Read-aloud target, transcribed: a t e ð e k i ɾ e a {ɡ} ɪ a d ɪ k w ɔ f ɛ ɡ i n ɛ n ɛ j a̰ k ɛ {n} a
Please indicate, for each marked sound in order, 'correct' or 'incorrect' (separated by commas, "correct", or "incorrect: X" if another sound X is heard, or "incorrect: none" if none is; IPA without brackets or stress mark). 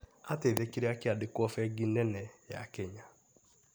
incorrect: k, incorrect: ɲ